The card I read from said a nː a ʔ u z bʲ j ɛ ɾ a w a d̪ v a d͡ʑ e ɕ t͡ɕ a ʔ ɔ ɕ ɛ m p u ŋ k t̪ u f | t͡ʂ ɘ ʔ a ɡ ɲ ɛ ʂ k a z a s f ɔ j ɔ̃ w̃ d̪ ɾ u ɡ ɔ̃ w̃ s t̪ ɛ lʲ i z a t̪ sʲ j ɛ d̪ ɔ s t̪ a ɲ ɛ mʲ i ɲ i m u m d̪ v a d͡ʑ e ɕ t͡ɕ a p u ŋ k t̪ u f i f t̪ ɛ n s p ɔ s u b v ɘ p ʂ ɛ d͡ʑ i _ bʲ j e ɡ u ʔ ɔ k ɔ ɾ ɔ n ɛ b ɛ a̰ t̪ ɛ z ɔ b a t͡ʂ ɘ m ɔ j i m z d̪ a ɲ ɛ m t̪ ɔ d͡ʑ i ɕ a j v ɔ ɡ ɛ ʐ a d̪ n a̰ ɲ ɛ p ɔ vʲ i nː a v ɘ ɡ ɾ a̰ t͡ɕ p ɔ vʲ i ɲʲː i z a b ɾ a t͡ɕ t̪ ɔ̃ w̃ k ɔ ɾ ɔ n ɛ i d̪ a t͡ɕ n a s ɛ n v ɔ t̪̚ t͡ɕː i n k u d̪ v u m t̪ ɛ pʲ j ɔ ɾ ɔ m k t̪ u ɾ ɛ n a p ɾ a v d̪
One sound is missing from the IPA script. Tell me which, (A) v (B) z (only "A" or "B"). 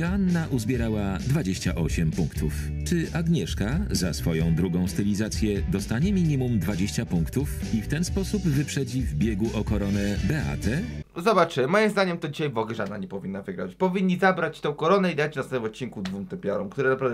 A